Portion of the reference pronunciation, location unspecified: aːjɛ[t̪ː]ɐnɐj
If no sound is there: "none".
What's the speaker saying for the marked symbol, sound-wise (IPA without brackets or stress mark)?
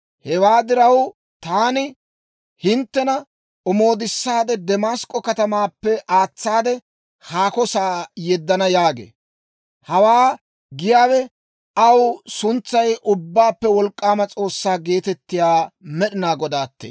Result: d̪ː